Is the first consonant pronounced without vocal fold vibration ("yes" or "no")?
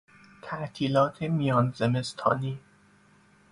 yes